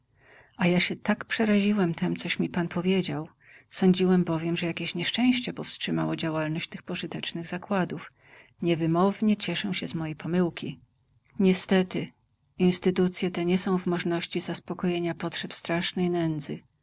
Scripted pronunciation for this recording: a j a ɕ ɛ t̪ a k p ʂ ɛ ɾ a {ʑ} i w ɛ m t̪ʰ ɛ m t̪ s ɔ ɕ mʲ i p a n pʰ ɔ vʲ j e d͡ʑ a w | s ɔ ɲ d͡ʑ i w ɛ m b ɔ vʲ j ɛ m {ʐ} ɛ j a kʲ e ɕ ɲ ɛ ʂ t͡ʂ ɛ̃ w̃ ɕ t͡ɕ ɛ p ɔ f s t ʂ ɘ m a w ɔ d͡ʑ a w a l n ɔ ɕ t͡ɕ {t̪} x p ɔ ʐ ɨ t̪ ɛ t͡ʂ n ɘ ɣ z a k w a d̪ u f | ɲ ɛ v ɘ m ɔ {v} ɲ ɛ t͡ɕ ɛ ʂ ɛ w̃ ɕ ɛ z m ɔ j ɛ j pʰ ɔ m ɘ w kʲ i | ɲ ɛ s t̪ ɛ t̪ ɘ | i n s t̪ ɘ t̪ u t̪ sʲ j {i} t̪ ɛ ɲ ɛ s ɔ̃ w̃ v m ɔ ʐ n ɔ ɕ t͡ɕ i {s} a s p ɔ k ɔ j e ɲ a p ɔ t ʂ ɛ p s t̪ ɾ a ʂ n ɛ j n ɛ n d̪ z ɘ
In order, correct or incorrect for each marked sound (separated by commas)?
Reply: correct, correct, correct, correct, incorrect, incorrect